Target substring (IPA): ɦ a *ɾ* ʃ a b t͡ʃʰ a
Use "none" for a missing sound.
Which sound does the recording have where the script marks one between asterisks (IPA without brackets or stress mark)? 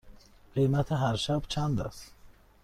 ɾ